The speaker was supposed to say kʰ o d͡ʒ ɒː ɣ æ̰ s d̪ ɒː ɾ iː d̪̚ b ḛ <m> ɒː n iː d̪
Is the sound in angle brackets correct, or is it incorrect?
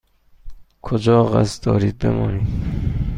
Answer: correct